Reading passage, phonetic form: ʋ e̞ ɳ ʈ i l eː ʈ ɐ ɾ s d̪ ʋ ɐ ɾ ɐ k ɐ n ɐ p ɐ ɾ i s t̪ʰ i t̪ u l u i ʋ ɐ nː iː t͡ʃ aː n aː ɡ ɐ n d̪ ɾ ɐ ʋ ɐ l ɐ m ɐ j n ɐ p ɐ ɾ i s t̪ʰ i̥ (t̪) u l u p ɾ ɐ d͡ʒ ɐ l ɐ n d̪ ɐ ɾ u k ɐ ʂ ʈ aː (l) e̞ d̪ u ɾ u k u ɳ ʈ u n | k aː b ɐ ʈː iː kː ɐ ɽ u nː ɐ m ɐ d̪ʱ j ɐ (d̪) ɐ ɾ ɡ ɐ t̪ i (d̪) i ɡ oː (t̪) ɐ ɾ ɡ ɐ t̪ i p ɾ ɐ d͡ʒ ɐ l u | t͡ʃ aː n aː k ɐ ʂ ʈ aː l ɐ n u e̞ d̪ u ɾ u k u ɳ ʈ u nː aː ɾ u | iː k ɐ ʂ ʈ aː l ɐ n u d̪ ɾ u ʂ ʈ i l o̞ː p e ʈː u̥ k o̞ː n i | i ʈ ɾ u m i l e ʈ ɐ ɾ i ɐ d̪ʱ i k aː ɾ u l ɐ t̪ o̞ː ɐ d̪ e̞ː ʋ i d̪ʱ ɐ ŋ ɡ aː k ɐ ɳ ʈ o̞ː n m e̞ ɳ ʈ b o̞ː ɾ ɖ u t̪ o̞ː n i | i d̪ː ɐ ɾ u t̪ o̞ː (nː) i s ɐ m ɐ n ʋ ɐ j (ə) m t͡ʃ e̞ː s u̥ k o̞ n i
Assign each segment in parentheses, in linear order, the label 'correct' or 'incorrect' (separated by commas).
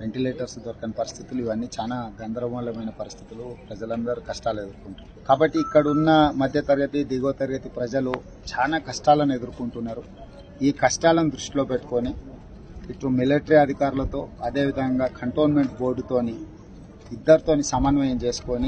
correct, correct, incorrect, correct, correct, incorrect, incorrect